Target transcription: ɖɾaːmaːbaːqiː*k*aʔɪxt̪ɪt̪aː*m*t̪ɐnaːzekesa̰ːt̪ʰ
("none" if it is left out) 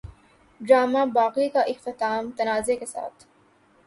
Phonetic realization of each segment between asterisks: k, m

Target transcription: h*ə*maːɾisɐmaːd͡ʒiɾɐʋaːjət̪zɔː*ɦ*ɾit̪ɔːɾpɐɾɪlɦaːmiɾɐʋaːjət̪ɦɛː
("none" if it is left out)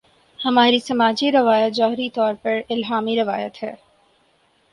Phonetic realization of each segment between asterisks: ɐ, ɦ

